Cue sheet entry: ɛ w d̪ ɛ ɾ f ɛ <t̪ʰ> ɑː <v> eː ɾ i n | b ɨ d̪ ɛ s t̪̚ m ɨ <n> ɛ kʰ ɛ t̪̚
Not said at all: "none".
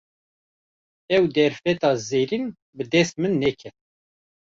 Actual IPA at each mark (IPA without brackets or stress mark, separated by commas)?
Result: t̪, z, nː